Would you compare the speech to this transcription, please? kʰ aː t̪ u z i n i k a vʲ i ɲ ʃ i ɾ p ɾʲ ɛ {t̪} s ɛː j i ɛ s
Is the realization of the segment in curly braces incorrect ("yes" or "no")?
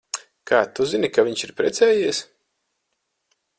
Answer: no